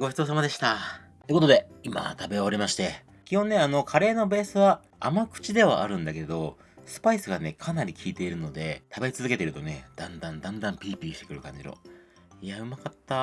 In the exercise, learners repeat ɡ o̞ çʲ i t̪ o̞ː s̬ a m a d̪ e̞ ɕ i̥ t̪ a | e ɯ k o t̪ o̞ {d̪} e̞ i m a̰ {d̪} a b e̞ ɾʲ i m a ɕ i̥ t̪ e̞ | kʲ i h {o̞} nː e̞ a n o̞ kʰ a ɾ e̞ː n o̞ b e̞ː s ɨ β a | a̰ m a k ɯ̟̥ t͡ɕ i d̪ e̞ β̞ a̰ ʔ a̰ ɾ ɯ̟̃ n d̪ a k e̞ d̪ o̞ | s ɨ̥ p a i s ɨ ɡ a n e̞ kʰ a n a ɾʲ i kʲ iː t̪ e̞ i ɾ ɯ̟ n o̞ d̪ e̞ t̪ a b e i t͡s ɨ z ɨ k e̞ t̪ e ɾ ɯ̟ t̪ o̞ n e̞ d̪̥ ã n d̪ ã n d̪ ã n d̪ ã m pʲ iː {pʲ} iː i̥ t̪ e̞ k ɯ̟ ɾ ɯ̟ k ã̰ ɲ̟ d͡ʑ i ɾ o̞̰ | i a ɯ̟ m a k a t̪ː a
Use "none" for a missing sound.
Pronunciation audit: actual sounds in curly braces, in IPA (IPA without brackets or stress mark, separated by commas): d̪, t̪, õ̞, pʲ